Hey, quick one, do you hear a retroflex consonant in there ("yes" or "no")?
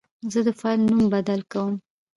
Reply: no